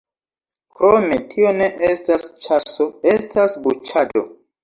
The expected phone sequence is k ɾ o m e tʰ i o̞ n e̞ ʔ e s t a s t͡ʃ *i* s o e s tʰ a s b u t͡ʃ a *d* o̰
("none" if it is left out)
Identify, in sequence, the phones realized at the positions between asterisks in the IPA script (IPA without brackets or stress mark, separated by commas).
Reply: a, d